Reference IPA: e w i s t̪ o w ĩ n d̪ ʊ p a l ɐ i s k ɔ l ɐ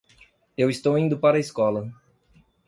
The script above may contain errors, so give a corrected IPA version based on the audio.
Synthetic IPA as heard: e w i s t̪ o w ĩ n d̪ ʊ p a ɾ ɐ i s k ɔ l ɐ